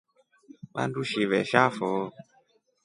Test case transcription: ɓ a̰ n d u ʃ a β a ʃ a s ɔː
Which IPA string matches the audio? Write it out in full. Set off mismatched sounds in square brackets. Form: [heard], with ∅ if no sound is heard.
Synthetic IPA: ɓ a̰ n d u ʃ [i] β [ɛ] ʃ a [f] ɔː

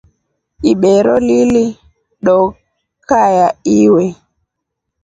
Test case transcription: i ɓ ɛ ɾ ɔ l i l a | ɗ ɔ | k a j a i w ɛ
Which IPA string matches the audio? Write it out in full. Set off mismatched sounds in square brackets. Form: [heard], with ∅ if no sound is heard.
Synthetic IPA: i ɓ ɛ ɾ ɔ l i l [i] | ɗ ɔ | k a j a i w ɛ

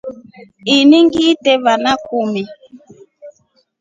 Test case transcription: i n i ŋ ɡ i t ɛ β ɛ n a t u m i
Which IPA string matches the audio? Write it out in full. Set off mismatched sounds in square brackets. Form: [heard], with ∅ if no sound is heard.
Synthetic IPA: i n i ŋ ɡ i t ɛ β [a] n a [k] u m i

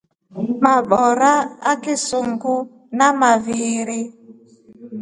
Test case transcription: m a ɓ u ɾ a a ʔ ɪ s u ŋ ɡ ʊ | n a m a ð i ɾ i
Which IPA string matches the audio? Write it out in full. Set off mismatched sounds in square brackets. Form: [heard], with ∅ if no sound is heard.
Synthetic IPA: m a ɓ [ɔ] ɾ a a [k] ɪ s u ŋ ɡ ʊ | n a m a [v] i ɾ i

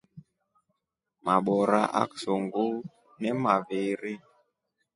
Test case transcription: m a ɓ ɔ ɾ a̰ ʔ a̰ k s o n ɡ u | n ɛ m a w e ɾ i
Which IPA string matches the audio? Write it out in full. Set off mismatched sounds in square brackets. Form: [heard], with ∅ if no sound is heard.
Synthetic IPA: m a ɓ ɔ ɾ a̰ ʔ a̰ k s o [ŋ] ɡ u | n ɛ m a [v] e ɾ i

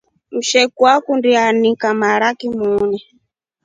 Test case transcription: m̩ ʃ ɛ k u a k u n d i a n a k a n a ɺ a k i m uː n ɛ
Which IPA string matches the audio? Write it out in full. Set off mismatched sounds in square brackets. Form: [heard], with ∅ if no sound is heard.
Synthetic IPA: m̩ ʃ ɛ k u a k u n d i a n [i] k a [m] a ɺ a k i m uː n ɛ

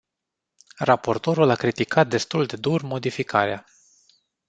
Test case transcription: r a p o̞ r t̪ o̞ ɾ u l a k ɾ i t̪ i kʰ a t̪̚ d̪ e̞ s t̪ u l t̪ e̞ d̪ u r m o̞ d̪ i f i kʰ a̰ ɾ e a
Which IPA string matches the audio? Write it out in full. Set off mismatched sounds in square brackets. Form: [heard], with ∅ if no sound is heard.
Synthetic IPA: r a p o̞ r t̪ o̞ ɾ u l a k ɾ i t̪ i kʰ a t̪̚ d̪ e̞ s t̪ u l [d̪] e̞ d̪ u r m o̞ d̪ i f i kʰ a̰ ɾ e a

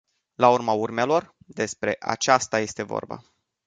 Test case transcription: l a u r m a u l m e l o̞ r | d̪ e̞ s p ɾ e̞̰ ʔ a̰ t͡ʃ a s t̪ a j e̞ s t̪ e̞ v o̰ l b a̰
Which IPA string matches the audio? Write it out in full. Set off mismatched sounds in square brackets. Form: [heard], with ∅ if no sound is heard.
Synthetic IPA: l a u r m a u [r] m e l o̞ r | d̪ e̞ s p ɾ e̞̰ ʔ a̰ t͡ʃ a s t̪ a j e̞ s t̪ e̞ v o̰ [r] b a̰

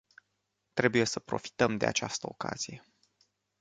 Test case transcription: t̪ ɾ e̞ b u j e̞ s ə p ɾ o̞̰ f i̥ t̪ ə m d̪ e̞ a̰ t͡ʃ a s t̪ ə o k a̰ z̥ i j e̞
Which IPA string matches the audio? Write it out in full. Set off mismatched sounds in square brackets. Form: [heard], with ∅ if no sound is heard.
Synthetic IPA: t̪ ɾ e̞ b u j e̞ s ə p ɾ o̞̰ f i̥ t̪ ə m d̪ e̞ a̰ t͡ʃ a s t̪ ə o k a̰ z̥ i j e̞

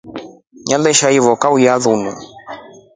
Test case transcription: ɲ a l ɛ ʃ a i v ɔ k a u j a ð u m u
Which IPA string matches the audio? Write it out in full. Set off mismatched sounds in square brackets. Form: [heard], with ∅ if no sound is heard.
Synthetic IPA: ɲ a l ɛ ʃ a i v ɔ k a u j a ð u [n] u

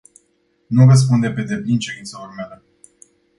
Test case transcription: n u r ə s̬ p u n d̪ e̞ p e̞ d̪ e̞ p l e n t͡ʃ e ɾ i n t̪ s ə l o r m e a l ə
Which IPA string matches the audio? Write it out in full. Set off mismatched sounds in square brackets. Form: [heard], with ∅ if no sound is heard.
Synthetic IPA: n u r ə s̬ p u n d̪ e̞ p e̞ d̪ e̞ p l [i] n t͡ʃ e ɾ i n t̪ s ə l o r m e a l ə

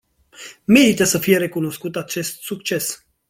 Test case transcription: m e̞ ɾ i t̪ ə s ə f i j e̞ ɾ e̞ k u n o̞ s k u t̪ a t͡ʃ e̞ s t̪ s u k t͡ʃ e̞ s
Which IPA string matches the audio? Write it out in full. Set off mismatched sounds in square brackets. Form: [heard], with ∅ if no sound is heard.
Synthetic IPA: m e̞ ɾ i t̪ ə s ə f i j e̞ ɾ e̞ k u n o̞ s k u t̪ a t͡ʃ e̞ s t̪ s u k t͡ʃ e̞ s

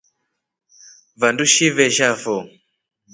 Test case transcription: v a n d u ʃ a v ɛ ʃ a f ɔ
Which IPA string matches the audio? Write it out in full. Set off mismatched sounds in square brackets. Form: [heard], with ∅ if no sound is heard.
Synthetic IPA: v a n d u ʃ [i] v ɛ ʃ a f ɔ

